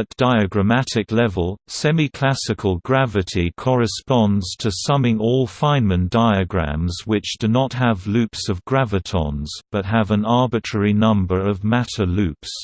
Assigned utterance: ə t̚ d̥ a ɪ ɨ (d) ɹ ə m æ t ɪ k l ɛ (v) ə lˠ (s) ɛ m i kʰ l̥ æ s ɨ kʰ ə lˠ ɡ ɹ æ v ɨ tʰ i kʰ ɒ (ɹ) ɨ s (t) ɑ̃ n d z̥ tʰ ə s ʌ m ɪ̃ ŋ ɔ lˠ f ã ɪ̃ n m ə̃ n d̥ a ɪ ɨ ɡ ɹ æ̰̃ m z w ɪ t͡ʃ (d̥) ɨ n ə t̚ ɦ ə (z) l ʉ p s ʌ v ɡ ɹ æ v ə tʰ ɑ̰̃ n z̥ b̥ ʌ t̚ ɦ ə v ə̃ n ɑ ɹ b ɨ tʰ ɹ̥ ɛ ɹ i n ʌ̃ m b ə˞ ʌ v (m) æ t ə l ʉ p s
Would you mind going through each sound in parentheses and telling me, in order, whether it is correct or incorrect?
incorrect: ɡ, correct, correct, correct, incorrect: p, correct, incorrect: v, correct

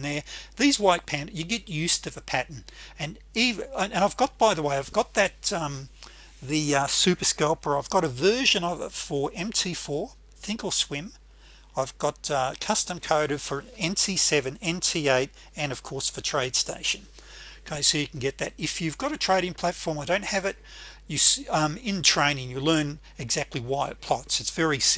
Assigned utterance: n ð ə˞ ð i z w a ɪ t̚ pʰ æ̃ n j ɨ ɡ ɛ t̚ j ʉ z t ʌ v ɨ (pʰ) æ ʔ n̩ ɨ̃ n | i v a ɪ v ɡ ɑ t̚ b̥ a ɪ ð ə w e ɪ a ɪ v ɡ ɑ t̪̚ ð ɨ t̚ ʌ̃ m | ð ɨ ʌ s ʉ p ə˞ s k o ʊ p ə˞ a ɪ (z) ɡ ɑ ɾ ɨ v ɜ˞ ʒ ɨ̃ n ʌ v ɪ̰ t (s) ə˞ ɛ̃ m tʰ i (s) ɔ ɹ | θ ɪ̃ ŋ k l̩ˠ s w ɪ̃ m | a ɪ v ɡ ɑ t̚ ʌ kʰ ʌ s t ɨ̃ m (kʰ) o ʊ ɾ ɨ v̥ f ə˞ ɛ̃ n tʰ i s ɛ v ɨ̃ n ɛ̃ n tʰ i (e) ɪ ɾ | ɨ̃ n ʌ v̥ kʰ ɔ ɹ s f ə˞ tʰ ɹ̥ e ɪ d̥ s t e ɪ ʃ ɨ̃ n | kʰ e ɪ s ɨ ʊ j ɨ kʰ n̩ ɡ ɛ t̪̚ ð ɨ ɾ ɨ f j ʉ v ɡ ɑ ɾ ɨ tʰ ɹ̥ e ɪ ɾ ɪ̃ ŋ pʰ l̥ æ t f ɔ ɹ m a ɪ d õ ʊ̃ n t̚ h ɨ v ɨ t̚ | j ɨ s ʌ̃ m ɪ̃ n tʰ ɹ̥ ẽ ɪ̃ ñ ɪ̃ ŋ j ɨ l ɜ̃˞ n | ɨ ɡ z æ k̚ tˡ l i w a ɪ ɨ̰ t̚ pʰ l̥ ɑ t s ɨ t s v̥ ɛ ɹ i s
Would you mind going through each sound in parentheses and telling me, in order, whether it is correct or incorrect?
correct, incorrect: v, incorrect: f, incorrect: f, correct, correct

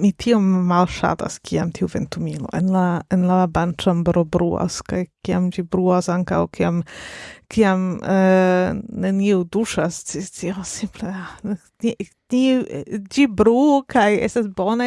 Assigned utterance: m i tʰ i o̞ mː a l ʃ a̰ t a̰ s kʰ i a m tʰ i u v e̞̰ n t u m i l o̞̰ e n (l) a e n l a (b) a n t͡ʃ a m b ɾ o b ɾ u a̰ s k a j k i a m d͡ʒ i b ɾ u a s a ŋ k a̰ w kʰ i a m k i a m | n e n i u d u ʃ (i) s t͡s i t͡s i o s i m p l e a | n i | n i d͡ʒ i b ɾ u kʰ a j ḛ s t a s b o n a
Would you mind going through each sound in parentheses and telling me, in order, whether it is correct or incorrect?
correct, correct, incorrect: a

